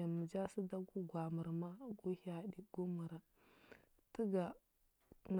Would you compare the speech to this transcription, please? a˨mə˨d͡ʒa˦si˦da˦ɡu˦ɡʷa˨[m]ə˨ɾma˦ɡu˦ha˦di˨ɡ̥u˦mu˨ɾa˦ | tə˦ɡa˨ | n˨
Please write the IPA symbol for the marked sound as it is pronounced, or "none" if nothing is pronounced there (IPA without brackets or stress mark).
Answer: m